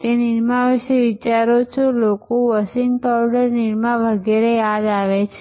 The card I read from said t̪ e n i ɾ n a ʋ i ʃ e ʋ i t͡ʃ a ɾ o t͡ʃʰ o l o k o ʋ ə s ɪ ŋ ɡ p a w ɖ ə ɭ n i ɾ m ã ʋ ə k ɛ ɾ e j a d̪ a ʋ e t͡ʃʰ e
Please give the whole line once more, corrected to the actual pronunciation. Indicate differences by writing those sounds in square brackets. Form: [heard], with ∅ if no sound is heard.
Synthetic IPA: t̪ e n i ɾ [m] a ʋ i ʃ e ʋ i t͡ʃ a ɾ o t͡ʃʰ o l o k o ʋ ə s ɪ ŋ ɡ p a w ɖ ə [ɾ] n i ɾ m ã ʋ ə [ɡ] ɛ ɾ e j a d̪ a ʋ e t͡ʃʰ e